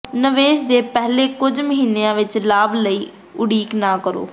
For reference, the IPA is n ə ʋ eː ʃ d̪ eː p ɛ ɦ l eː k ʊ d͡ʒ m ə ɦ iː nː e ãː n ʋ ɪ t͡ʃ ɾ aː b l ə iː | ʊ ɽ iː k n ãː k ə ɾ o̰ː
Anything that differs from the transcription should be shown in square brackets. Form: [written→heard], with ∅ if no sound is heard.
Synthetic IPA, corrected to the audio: n ə ʋ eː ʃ d̪ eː p ɛ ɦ l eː k ʊ d͡ʒ m ə ɦ iː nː e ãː [n→∅] ʋ ɪ t͡ʃ [ɾ→l] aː b l ə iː | ʊ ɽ iː k n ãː k ə ɾ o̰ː